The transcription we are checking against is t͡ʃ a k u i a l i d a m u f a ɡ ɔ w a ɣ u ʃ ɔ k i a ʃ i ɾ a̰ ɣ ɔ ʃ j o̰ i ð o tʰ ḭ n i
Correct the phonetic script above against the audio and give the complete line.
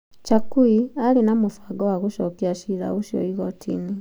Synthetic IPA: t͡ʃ a k u i a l i n a m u f a ɡ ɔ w a ɣ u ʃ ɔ k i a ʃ i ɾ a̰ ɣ u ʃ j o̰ i ɣ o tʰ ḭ n i